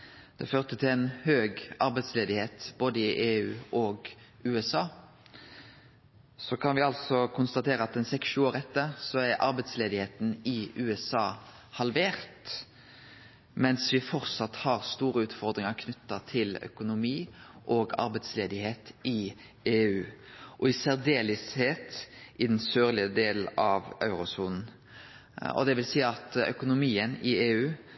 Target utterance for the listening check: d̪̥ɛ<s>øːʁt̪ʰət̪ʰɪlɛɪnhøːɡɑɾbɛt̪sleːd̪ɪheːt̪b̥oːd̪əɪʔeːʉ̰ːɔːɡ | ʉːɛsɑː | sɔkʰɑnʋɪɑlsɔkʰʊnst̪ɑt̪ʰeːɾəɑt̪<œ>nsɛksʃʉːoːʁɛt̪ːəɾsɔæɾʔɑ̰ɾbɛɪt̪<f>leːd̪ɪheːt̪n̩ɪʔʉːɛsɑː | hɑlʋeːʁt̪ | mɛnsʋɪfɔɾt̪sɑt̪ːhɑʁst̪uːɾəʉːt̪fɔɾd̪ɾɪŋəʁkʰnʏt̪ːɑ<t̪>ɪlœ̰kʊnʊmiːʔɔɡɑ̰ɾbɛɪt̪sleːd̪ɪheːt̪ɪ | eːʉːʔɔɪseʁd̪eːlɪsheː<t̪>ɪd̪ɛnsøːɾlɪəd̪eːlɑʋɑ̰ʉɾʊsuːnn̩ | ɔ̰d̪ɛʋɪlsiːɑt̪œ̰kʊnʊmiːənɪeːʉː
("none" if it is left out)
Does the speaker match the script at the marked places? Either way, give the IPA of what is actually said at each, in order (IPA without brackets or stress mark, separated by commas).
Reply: f, ɛ, s, t̪ʰ, t̪